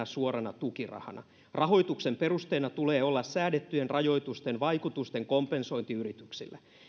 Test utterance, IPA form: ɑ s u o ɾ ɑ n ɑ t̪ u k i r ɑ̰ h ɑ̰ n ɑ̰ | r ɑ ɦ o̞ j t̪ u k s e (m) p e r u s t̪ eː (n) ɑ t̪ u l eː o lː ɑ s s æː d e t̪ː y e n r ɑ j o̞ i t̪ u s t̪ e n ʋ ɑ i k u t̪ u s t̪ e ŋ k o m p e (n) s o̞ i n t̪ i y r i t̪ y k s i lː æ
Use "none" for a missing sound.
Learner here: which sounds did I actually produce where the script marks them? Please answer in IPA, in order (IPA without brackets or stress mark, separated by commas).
m, n, n